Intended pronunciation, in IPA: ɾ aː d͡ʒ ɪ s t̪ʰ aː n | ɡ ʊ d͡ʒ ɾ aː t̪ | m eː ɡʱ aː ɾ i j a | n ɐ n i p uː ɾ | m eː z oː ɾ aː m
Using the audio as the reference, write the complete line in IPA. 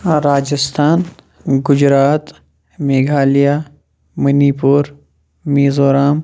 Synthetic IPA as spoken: ɾ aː d͡ʒ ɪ s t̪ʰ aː n | ɡ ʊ d͡ʒ ɾ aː t̪ | m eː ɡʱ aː l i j a | m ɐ n i p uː ɾ | m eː z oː ɾ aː m